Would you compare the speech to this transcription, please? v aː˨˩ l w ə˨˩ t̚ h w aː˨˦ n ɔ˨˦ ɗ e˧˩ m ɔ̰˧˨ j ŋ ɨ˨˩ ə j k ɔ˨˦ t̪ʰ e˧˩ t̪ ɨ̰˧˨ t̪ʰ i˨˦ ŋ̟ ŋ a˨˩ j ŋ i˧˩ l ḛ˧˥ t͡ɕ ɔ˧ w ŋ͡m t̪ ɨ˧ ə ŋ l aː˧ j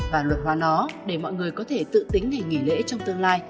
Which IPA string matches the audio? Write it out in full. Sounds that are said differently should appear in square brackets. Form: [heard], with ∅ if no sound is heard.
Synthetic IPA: v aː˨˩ l w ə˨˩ t̚ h w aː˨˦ n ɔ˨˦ ɗ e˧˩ m ɔ̰˧˨ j ŋ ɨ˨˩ ə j k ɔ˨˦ t̪ʰ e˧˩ t̪ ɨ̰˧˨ [t̪] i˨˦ ŋ̟ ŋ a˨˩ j ŋ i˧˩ l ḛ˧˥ t͡ɕ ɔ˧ w ŋ͡m t̪ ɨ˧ ə ŋ l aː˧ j